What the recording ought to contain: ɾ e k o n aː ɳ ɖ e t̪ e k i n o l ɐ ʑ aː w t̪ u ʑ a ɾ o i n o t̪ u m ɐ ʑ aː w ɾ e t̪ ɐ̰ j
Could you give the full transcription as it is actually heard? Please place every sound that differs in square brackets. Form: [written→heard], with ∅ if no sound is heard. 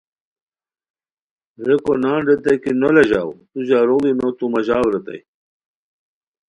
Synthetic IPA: ɾ e k o n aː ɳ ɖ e t̪ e k i n o l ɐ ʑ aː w t̪ u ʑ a ɾ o i n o t̪ u m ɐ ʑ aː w ɾ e t̪ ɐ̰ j